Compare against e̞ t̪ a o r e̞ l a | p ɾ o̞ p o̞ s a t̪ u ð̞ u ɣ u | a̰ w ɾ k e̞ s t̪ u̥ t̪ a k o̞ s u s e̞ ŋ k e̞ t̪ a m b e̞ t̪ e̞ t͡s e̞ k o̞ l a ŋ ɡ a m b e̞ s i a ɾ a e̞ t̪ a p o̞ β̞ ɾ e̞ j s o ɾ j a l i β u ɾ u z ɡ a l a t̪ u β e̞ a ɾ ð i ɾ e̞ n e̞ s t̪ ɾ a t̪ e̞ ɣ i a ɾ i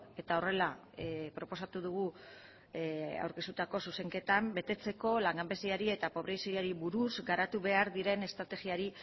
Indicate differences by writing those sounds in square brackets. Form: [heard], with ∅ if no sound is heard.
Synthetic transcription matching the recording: e̞ t̪ a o r e̞ l a | p ɾ o̞ p o̞ s a t̪ u ð̞ u ɣ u | a̰ w ɾ k e̞ s t̪ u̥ t̪ a k o̞ s u s e̞ ŋ k e̞ t̪ a m b e̞ t̪ e̞ t͡s e̞ k o̞ l a ŋ ɡ a m b e̞ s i a ɾ [i] e̞ t̪ a p o̞ β̞ ɾ e̞ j s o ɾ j a [ɾ] i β u ɾ u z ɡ a [ɾ] a t̪ u β e̞ a ɾ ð i ɾ e̞ n e̞ s t̪ ɾ a t̪ e̞ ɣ i a ɾ i